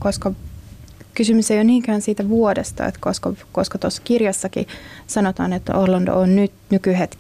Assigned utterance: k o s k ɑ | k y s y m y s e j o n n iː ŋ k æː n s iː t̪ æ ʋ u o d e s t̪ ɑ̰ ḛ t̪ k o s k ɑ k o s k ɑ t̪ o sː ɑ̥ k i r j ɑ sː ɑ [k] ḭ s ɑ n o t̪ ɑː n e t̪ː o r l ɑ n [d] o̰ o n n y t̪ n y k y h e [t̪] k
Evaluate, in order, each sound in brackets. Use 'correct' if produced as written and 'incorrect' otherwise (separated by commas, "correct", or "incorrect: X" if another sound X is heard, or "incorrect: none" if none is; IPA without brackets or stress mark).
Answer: correct, correct, correct